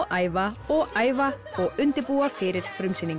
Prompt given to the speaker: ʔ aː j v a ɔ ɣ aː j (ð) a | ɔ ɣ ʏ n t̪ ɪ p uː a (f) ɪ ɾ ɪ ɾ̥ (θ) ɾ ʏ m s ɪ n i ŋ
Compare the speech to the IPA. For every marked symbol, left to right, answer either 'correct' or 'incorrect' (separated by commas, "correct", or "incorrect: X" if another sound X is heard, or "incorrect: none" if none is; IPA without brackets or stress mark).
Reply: incorrect: v, correct, incorrect: f